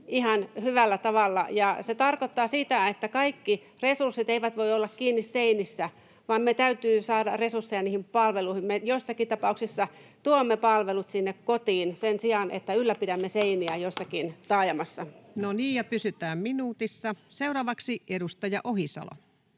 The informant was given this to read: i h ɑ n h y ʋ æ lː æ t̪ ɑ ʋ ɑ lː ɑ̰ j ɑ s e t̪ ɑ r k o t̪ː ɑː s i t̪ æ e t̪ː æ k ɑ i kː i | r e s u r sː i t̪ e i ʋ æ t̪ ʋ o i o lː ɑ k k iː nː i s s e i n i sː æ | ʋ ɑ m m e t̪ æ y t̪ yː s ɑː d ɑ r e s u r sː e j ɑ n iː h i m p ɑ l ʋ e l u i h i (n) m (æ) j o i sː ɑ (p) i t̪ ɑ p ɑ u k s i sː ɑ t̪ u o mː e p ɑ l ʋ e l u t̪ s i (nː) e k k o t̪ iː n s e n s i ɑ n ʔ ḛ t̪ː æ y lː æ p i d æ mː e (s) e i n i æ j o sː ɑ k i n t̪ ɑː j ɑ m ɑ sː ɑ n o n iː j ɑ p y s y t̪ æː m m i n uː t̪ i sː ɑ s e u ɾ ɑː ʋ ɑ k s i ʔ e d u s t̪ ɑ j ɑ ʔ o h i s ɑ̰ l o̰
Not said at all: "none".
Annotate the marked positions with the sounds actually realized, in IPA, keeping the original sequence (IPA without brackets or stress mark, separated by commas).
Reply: m, e, k, nː, s